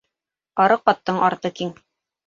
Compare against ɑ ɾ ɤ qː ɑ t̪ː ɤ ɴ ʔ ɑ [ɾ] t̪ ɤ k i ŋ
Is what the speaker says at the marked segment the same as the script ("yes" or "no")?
yes